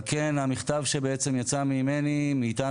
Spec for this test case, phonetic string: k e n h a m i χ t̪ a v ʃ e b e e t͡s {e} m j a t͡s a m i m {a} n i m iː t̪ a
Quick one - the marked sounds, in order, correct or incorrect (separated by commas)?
correct, incorrect